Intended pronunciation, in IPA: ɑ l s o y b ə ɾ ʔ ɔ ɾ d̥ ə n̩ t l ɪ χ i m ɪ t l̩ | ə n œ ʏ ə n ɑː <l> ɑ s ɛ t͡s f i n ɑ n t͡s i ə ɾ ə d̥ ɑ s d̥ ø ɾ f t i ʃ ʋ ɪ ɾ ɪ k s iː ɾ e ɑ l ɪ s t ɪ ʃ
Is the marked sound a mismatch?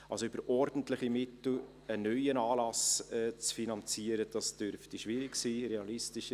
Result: no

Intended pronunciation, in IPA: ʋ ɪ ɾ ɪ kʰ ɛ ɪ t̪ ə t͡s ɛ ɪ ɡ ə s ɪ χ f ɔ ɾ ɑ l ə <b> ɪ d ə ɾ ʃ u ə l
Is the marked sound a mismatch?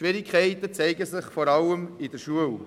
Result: yes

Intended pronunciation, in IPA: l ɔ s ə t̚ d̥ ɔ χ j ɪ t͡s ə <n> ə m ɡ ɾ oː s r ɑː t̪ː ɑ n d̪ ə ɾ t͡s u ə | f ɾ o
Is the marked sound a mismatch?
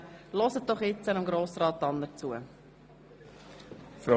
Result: no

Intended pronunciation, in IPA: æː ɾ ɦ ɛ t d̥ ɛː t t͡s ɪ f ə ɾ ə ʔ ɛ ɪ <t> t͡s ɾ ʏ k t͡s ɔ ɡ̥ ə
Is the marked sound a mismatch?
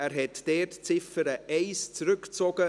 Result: yes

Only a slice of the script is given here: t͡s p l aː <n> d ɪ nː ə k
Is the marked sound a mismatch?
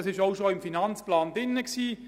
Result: no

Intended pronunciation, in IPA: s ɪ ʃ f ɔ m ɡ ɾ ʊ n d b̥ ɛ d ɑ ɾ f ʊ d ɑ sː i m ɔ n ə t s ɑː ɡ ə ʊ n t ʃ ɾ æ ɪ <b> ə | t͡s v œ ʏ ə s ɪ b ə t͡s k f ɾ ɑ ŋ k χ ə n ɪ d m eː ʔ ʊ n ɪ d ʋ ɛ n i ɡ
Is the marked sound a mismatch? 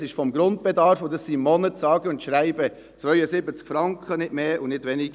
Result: no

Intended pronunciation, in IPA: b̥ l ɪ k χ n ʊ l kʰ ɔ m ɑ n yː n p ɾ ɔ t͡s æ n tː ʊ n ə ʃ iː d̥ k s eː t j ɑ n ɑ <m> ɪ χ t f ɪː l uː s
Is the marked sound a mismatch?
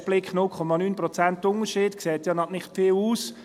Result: yes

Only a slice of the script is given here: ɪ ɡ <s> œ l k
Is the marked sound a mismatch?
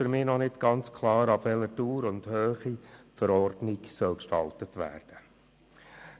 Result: no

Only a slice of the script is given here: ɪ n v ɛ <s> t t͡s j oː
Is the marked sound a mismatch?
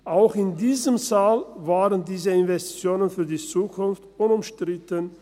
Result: no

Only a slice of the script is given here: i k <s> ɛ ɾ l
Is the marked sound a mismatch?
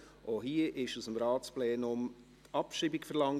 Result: yes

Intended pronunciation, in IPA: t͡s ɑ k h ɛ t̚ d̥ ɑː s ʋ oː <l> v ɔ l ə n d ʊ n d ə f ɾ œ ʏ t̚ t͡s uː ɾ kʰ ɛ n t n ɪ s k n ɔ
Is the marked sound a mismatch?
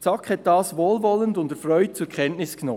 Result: no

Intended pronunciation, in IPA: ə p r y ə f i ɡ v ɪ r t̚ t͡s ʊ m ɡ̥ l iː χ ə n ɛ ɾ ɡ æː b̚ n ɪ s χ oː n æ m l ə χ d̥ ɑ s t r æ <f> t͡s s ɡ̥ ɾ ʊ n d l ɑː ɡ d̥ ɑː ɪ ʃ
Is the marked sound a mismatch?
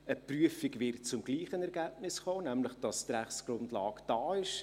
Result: yes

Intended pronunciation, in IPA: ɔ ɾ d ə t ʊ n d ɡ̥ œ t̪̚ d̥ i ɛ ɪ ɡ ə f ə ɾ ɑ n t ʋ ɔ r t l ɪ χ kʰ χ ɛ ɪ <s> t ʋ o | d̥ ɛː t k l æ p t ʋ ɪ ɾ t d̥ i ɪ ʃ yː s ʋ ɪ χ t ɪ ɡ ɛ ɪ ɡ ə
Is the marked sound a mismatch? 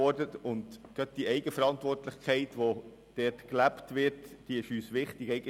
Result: yes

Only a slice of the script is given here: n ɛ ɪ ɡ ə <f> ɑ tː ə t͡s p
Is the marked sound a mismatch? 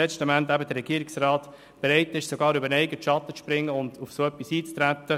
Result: yes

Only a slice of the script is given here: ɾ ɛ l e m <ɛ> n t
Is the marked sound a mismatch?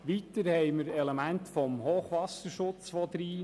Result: yes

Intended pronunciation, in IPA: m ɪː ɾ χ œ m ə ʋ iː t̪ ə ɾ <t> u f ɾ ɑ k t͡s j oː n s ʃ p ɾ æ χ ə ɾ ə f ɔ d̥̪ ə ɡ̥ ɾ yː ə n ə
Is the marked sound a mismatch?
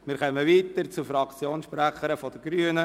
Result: yes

